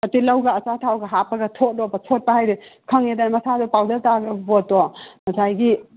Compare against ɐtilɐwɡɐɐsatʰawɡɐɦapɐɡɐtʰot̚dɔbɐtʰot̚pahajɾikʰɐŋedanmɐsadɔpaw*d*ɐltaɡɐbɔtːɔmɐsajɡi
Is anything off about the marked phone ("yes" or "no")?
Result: no